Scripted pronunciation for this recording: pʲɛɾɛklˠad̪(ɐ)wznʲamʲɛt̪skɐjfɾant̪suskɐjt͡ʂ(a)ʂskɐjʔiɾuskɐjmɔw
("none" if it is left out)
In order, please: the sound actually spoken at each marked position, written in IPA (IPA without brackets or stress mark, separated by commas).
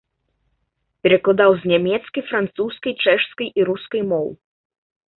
a, ɛ